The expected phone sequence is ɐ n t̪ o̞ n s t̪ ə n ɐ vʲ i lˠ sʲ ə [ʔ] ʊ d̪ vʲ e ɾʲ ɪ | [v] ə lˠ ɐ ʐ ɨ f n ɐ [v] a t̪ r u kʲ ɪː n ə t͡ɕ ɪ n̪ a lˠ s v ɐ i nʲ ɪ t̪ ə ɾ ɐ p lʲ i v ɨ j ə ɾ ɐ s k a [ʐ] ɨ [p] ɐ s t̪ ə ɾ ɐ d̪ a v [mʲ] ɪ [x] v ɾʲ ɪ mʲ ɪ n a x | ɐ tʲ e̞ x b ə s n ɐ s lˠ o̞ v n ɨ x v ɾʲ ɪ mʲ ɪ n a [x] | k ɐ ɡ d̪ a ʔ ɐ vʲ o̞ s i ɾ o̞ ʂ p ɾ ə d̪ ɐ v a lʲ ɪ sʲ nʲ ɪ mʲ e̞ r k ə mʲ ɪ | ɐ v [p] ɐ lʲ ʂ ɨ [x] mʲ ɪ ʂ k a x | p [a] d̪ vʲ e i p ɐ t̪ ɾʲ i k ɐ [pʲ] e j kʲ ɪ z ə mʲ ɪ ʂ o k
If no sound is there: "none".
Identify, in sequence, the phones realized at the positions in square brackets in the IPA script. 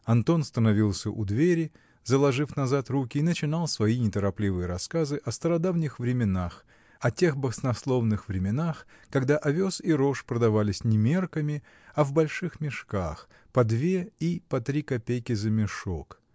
ʔ, z, z, z, ʔ, nʲ, x, x, b, x, ɐ, pʲ

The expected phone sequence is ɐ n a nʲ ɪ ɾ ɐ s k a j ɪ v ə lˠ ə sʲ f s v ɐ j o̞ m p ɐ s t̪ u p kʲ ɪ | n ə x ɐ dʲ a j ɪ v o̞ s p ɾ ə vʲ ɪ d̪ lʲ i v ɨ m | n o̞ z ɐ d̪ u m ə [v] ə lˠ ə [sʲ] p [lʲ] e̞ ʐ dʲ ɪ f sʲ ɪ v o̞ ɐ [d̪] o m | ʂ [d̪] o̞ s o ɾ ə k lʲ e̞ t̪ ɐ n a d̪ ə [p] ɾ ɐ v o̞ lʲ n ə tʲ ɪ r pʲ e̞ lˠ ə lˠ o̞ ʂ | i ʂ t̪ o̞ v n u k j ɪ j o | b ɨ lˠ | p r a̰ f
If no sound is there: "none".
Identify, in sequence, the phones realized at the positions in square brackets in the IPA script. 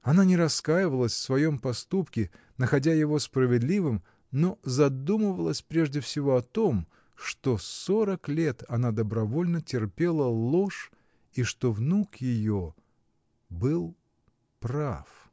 v, sʲ, ɾʲ, t̪, t̪, b

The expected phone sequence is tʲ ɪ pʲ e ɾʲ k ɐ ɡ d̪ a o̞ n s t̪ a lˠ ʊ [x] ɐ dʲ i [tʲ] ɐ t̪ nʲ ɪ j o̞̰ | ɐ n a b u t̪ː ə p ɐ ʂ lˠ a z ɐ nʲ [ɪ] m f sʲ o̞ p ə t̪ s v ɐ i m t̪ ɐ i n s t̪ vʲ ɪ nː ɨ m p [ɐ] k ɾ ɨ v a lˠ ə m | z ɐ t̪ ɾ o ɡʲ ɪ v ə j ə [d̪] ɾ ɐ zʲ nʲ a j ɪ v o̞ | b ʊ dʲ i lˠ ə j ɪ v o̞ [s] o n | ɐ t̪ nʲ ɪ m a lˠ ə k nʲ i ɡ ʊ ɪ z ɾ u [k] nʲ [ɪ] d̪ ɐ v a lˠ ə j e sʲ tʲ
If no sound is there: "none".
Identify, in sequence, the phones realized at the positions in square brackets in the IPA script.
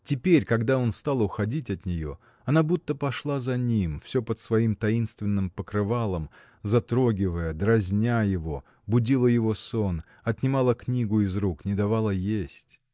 x, tʲ, i, ə, d̪, s, k, ɪ

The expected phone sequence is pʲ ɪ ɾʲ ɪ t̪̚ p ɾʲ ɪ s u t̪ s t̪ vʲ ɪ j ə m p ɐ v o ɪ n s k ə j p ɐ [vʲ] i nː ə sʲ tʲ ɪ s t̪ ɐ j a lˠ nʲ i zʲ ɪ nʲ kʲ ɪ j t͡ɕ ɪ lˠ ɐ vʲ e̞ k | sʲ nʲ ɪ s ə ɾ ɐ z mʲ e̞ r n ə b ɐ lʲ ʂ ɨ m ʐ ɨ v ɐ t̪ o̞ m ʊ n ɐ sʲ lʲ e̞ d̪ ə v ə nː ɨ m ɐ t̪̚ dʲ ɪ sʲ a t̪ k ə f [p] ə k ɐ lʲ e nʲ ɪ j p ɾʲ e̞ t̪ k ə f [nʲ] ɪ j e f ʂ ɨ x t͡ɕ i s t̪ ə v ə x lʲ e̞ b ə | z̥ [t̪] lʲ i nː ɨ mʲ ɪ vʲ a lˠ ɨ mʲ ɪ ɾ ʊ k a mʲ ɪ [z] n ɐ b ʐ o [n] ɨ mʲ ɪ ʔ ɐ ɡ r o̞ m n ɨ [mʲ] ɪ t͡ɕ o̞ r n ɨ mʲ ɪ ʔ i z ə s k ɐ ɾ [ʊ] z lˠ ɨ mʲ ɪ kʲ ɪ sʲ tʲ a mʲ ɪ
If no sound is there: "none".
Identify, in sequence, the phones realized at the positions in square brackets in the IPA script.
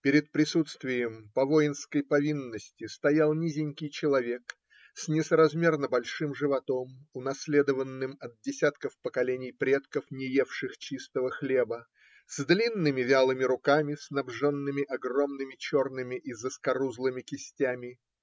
vʲ, p, nʲ, d̪, s, nː, mʲ, u

